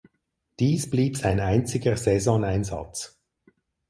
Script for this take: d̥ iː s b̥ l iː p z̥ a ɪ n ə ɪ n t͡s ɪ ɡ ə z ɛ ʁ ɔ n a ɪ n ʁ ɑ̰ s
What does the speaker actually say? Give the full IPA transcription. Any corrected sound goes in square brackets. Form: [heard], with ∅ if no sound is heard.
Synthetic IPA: d̥ iː s b̥ l iː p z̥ a ɪ n [a] ɪ n t͡s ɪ ɡ ə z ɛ [z] ɔ n a ɪ n [z] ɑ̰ [t͡s]